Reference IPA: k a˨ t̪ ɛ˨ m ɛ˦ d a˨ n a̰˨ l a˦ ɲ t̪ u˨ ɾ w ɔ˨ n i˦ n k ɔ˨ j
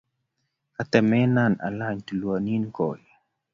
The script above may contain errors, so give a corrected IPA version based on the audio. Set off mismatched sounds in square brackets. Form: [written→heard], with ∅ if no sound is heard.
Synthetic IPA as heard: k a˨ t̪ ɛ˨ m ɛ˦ [d→n] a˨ n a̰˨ l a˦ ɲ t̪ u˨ [ɾ→l] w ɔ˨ n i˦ n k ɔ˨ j